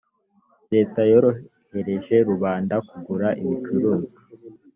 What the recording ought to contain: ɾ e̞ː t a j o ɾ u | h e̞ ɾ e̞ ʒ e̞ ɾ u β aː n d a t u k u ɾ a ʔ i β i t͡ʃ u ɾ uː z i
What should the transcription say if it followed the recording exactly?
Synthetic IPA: ɾ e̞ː t a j o ɾ o | h e̞ ɾ e̞ ʒ e̞ ɾ u β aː n d a k u ɡ u ɾ a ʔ i β i t͡ʃ u ɾ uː z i